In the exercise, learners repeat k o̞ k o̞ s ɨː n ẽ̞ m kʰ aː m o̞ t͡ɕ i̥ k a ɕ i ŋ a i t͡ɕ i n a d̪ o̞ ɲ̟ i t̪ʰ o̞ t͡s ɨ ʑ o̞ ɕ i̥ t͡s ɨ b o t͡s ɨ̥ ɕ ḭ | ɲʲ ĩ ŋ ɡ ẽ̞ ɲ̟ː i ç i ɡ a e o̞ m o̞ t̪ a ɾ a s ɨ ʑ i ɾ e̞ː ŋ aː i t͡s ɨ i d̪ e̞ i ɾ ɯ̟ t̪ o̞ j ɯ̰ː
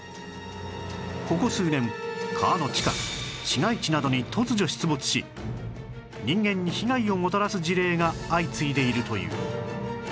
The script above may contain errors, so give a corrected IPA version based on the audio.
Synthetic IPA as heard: k o̞ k o̞ s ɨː n ẽ̞ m kʰ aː n o̞ t͡ɕ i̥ k a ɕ i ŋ a i t͡ɕ i n a d̪ o̞ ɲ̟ i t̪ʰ o̞ t͡s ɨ ʑ o̞ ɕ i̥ t͡s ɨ b o t͡s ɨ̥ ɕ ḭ | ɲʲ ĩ ŋ ɡ ẽ̞ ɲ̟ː i ç i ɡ a i o̞ m o̞ t̪ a ɾ a s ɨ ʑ i ɾ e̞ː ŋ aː i t͡s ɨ i d̪ e̞ i ɾ ɯ̟ t̪ o̞ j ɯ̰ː